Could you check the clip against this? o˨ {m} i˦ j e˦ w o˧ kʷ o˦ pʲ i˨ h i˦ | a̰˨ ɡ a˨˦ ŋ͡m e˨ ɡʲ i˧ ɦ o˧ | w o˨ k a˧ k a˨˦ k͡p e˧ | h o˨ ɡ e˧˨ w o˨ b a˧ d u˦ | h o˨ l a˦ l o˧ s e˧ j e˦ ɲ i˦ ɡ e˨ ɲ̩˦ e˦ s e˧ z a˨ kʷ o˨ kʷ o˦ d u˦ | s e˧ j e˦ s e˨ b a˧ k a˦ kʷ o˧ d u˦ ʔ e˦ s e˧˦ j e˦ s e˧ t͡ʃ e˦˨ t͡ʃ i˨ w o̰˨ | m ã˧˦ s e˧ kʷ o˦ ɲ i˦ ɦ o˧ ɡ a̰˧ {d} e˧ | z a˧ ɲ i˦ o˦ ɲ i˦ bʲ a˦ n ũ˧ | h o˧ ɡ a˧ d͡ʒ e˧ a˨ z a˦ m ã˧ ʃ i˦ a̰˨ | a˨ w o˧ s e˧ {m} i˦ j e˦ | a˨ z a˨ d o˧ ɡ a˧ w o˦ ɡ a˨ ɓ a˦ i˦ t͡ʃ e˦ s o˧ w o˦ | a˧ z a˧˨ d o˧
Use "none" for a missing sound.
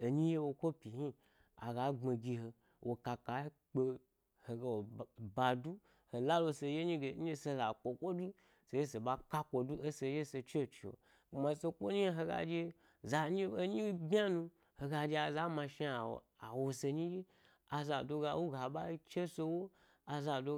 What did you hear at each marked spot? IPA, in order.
ɲ, d͡ʒ, ɲ

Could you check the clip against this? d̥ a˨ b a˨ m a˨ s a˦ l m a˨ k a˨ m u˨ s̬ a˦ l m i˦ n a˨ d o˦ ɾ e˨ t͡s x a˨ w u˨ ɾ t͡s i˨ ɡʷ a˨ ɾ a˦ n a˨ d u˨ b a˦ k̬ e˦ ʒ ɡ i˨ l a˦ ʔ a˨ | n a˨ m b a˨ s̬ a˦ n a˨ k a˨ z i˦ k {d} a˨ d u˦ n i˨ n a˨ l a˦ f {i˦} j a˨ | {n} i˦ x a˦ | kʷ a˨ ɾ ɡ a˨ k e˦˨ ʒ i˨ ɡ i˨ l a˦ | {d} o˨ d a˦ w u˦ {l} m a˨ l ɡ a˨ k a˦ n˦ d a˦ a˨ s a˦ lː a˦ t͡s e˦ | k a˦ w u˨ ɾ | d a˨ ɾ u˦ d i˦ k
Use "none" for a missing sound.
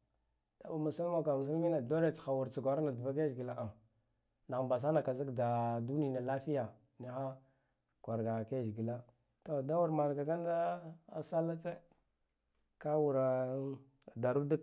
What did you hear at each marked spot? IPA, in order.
d, i˦, n, t, ɾ

